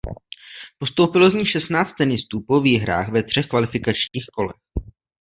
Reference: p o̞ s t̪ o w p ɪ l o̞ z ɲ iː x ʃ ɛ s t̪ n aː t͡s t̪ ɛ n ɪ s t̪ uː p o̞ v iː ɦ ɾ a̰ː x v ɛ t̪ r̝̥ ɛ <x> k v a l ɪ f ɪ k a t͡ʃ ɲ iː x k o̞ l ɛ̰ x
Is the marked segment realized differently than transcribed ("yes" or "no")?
no